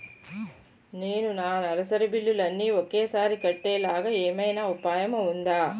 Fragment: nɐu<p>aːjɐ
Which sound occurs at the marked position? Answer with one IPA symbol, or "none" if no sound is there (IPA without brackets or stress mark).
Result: p